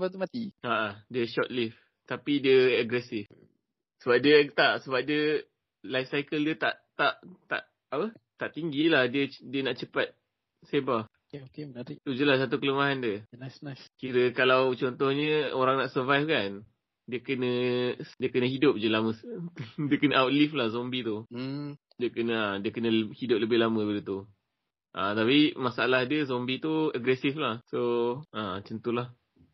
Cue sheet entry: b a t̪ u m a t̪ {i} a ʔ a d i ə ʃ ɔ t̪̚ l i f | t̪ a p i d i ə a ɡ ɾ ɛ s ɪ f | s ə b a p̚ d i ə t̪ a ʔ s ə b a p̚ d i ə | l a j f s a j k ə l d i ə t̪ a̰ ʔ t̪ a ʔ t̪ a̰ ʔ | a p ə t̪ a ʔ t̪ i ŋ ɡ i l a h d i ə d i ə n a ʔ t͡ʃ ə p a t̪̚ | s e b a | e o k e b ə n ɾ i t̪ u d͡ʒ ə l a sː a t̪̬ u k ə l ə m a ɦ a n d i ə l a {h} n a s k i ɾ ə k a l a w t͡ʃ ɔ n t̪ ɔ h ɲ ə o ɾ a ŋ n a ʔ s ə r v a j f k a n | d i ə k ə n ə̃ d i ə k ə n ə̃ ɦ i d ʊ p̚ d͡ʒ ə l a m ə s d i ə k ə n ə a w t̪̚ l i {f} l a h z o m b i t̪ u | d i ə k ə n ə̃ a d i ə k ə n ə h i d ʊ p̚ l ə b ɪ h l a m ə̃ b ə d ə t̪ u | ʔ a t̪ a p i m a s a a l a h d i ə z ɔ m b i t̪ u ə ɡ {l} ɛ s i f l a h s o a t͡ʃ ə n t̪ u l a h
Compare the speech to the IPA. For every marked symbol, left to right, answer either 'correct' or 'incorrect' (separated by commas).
correct, incorrect, correct, incorrect